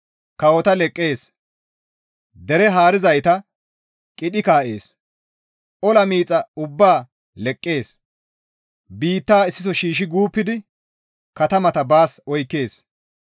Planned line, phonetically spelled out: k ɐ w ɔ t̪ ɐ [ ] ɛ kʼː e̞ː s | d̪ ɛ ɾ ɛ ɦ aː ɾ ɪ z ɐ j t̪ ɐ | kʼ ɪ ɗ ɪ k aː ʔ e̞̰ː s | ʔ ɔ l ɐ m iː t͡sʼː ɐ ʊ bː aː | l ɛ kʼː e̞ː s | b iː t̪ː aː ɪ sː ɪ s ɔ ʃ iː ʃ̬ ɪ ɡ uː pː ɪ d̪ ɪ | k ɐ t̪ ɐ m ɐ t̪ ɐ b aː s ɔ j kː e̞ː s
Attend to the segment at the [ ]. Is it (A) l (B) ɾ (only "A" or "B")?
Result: A